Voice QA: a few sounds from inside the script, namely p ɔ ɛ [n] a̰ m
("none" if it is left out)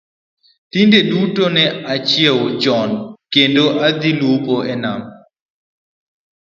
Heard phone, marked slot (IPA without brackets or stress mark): n